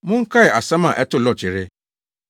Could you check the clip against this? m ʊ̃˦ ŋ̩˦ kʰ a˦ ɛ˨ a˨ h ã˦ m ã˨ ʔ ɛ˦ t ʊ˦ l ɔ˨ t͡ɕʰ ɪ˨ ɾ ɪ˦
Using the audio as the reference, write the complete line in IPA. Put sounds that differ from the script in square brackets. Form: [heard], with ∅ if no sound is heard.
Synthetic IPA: m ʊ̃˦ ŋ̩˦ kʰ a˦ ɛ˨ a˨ [s] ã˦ m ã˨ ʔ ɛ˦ t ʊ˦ l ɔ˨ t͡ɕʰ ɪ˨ ɾ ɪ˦